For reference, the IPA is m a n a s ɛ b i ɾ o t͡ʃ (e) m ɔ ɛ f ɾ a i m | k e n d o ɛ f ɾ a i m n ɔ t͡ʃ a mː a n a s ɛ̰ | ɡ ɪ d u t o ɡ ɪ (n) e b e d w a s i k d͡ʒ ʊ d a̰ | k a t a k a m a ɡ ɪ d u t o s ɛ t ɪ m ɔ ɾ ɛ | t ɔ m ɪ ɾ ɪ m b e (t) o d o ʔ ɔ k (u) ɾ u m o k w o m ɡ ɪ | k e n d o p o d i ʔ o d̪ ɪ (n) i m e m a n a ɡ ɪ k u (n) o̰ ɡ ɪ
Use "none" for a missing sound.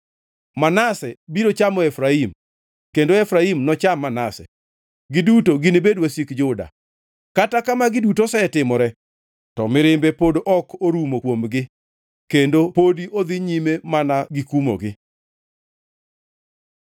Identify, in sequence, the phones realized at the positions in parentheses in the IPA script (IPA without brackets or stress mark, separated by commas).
a, n, p, o, ɲ, m